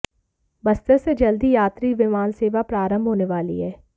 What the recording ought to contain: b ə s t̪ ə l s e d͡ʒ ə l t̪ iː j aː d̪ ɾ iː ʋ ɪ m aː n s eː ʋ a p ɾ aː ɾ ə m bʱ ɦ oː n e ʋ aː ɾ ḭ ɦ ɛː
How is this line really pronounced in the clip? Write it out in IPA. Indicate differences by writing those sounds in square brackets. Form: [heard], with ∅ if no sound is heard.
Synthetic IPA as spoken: b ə s t̪ ə [ɾ] s e d͡ʒ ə l [d̪] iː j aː [t̪] ɾ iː ʋ ɪ m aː n s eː ʋ a p ɾ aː ɾ ə m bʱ ɦ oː n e ʋ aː [l] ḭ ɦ ɛː